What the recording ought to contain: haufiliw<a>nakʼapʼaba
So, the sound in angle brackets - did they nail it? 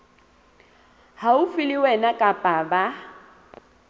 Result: no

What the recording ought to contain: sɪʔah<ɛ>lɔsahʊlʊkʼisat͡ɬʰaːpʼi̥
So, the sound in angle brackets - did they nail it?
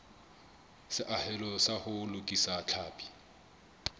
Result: yes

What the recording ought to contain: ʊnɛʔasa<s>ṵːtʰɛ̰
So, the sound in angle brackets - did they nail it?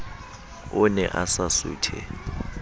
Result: yes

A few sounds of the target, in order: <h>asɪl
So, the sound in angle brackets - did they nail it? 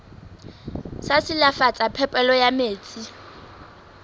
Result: no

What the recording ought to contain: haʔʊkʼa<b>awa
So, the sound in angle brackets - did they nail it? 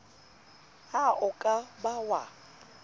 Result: yes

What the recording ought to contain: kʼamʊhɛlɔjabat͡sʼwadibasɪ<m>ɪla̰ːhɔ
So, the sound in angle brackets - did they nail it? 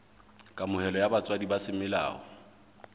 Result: yes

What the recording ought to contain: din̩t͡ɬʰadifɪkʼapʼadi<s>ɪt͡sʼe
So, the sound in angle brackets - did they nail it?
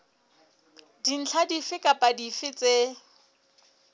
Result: no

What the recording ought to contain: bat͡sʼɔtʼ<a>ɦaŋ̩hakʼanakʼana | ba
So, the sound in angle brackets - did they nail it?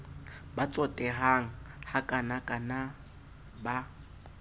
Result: no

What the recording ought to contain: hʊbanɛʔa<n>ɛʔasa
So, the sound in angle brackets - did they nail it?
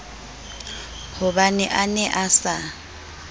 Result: yes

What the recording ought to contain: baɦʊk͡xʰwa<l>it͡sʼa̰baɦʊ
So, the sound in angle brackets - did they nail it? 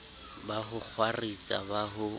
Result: no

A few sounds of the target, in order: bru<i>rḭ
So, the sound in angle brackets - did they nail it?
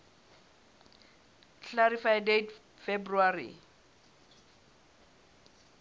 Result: no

